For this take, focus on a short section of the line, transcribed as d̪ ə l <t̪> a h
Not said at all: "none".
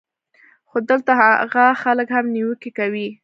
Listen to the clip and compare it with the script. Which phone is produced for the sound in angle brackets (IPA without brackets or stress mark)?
t̪